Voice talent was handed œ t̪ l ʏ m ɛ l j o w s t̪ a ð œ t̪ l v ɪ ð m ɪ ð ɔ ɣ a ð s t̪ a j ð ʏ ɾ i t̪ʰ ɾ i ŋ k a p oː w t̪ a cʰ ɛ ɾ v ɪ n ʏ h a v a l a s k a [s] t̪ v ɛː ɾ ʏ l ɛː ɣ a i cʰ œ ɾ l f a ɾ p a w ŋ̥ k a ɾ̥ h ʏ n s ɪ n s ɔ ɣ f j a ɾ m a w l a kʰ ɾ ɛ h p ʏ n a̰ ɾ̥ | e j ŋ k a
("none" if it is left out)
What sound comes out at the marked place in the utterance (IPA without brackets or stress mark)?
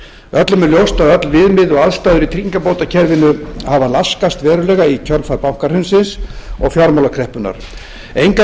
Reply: s